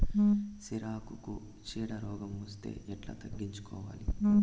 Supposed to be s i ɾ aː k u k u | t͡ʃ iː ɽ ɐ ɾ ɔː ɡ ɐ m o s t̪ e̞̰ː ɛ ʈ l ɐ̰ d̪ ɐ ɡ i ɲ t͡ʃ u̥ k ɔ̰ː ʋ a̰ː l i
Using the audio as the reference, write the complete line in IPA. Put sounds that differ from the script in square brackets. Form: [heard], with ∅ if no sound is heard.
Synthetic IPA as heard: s i ɾ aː k u k u | t͡ʃ iː ɽ ɐ ɾ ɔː ɡ ɐ m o s t̪ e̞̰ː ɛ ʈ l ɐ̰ [t̪] ɐ [ɡː] i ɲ t͡ʃ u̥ k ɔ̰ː ʋ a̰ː l i